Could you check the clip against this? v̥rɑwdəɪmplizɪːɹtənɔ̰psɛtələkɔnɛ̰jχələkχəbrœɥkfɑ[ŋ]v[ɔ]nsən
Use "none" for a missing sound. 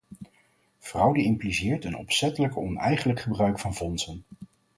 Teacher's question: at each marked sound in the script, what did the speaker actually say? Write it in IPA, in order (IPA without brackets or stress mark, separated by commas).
n, ɔ